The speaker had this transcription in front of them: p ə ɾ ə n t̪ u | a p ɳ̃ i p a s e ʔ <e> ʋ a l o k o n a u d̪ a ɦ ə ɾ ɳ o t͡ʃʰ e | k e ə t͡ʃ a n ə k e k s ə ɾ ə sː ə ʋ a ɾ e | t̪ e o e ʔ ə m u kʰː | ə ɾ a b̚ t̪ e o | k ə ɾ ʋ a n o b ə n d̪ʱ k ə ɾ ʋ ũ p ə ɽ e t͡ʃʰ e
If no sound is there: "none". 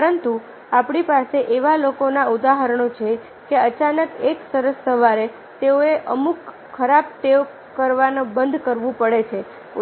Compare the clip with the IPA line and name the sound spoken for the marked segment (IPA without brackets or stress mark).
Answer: e